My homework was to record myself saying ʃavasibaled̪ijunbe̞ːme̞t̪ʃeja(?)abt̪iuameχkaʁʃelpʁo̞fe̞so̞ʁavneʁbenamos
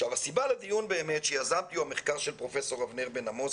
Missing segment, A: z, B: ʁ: A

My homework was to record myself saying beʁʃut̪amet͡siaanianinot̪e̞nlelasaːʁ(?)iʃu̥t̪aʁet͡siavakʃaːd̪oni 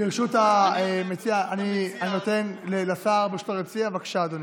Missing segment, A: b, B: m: A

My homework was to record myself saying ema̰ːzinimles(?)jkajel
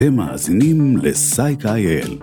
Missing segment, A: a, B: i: A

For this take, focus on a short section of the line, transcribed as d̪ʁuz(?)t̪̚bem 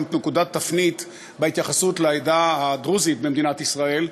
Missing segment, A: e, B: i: B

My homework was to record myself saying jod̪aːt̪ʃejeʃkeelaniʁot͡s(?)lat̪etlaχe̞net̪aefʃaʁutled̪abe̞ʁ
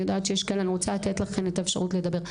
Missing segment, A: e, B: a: B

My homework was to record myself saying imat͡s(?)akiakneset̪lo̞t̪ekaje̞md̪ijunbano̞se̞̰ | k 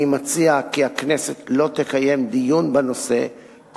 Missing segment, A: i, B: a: A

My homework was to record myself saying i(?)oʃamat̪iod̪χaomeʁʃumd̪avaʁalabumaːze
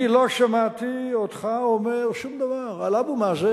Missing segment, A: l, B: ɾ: A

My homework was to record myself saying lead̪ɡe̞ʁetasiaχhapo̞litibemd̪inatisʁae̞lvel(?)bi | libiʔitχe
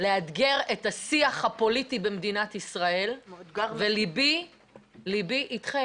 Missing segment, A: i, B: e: A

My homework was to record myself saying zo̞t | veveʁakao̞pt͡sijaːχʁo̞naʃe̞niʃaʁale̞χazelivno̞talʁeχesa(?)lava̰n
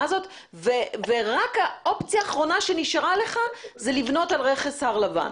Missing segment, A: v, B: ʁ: B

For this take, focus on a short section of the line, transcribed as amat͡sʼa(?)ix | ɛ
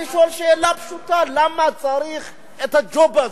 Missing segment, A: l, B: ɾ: B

